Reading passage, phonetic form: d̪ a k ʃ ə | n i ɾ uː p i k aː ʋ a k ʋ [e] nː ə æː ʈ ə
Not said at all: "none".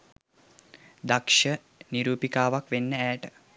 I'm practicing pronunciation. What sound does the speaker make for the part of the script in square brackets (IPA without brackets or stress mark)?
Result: e